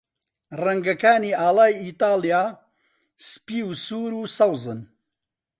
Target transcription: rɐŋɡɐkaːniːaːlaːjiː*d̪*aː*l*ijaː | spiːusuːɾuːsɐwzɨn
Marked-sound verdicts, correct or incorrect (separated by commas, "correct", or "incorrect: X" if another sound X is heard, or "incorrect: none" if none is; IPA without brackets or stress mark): incorrect: t̪, correct